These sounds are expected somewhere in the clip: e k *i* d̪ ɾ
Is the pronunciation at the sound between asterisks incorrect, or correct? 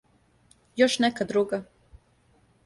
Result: incorrect